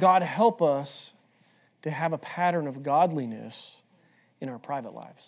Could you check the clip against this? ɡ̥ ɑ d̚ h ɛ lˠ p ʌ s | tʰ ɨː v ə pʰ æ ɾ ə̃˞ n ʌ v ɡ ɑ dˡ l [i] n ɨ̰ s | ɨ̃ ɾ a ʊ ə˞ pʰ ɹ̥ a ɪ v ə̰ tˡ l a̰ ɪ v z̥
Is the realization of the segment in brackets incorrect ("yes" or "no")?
no